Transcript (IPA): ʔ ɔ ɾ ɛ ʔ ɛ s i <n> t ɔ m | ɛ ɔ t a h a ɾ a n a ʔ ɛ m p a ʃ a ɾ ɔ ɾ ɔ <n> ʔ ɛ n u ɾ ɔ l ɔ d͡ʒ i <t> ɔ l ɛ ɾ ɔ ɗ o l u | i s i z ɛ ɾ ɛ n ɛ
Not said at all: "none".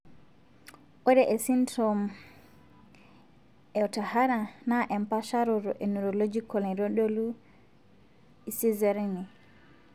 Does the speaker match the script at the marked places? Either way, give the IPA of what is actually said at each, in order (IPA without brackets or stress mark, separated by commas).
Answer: n, none, k